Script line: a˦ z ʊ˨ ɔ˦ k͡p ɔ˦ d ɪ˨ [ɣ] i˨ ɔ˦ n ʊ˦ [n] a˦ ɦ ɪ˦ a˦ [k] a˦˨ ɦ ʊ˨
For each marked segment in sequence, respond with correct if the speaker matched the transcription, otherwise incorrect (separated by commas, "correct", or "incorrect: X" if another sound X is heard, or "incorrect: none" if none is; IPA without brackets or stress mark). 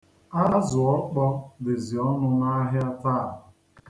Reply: incorrect: z, correct, incorrect: t